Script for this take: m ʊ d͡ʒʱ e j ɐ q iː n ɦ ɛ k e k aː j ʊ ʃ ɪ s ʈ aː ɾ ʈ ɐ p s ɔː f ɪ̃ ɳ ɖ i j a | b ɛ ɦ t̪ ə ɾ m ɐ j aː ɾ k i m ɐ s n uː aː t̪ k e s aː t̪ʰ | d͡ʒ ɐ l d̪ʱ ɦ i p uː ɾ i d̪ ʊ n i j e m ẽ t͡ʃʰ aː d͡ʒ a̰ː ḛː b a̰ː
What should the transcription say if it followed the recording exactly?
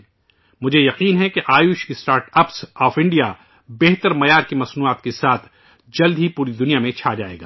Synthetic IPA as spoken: m ʊ d͡ʒʱ e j ɐ q iː n ɦ ɛ k e ʔ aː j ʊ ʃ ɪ s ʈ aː ɾ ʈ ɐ p s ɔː f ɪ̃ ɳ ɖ i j a | b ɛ ɦ t̪ ə ɾ m ɐ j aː ɾ k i m ɐ s n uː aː t̪ k e s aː t̪ʰ | d͡ʒ ɐ l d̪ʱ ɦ i p uː ɾ i d̪ ʊ n i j a m ẽ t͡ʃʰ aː d͡ʒ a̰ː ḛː ɡ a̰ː

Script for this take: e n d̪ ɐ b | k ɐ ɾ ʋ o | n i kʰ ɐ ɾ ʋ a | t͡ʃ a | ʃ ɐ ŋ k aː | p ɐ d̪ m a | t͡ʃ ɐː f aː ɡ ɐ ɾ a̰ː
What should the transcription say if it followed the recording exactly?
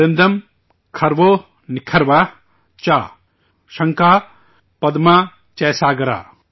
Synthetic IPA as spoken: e n d̪ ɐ m | kʰ ɐ ɾ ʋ o | n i kʰ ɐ ɾ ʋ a | t͡ʃ a | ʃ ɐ ŋ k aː | p ɐ d̪ m a | t͡ʃ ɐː s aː ɡ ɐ ɾ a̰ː

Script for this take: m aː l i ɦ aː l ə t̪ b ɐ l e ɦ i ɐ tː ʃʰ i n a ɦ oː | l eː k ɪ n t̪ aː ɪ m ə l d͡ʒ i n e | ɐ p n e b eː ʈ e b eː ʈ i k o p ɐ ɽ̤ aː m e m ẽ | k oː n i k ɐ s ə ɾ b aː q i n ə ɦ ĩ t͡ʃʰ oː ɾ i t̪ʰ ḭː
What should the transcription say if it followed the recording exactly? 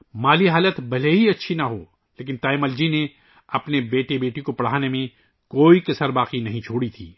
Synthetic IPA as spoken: m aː l i ɦ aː l ə t̪ b ɐ l e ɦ i ɐ tː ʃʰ i n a ɦ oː | l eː k ɪ n t̪ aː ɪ m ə l d͡ʒ i n e | ɐ p n e b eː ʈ e b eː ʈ i k o p ɐ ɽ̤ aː n e m ẽ | k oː i k ɐ s ə ɾ b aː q i n ɐ ɦ ĩ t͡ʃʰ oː ɽ i t̪ʰ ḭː

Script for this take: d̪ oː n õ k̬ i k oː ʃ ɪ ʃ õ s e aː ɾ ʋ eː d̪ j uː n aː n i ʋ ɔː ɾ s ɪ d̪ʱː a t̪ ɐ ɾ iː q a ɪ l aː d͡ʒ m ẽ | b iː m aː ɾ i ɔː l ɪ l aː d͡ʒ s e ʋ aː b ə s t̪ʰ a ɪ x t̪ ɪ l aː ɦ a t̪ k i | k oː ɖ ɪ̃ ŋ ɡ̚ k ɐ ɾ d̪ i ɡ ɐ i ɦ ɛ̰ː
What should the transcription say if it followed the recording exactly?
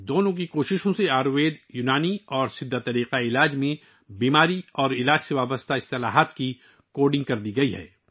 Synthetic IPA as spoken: d̪ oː n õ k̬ i k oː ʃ ɪ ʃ õ s e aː ɾ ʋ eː d̪ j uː n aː n i ɔː ɾ s ɪ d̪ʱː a t̪ ɐ ɾ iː q a ɪ l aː d͡ʒ m ẽ | b iː m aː ɾ i ɔː ɾ ɪ l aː d͡ʒ s e ʋ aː b ə s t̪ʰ a ɪ s t̪ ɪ l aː ɦ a t̪ k i | k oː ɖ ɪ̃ ŋ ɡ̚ k ɐ ɾ d̪ i ɡ ɐ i ɦ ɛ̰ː

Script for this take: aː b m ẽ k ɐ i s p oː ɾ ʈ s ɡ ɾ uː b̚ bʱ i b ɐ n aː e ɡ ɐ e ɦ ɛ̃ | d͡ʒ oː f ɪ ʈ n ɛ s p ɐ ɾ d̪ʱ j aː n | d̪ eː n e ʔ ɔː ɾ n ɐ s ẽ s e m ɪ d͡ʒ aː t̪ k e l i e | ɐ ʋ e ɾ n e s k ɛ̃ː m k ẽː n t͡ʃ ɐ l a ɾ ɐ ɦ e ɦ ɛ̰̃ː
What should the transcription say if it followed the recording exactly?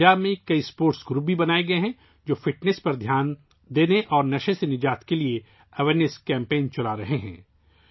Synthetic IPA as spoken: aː b m ẽ k ɐ i s p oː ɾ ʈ s ɡ ɾ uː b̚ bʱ i b ɐ n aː e ɡ ɐ e ɦ ɛ̃ | d͡ʒ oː f ɪ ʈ n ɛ s p ɐ ɾ d̪ʱ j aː n | d̪ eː n e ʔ ɔː ɾ n ɐ ʃ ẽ s e n ɪ d͡ʒ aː t̪ k e l i e | ɐ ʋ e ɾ n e s k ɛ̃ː m p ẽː n t͡ʃ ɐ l a ɾ ɐ ɦ e ɦ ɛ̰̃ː

